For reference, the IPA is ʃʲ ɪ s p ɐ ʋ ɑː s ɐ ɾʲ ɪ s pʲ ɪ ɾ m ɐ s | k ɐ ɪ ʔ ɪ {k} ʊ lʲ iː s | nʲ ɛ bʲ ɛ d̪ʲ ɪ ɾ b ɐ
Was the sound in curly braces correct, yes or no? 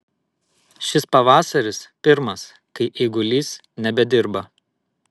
no